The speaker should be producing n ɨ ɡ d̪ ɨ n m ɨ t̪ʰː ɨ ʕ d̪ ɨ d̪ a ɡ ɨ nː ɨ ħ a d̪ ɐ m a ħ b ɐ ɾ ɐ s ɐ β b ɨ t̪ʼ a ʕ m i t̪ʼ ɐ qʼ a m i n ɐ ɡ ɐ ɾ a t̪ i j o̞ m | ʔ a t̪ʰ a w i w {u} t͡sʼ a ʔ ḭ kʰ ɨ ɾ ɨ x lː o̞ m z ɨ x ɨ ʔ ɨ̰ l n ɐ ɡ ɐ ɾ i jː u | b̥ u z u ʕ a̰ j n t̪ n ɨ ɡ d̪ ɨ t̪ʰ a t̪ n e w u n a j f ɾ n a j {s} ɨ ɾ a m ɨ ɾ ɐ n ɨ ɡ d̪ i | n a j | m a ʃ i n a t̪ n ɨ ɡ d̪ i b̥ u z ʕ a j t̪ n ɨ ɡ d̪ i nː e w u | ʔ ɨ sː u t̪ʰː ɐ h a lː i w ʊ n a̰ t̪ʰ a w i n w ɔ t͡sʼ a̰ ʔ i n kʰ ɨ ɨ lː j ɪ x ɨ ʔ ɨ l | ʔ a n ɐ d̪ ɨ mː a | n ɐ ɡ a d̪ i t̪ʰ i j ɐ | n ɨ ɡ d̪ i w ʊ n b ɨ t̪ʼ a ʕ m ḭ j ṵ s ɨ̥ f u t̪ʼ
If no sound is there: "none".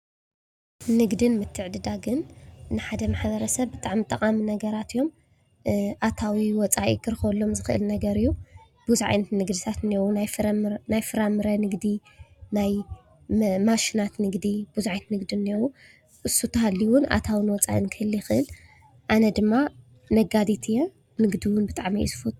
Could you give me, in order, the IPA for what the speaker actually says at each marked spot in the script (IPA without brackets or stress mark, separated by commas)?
ɔ, f